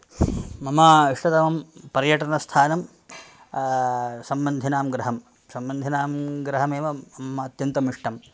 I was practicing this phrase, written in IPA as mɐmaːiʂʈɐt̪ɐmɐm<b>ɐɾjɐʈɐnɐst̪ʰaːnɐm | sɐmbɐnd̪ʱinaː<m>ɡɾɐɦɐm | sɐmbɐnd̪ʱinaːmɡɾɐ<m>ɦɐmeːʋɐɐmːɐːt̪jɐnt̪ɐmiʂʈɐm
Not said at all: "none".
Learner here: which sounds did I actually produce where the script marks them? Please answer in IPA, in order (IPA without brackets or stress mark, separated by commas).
p, m, none